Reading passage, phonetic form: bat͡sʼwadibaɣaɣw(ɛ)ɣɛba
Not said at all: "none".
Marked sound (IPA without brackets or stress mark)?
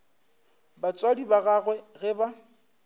ɛ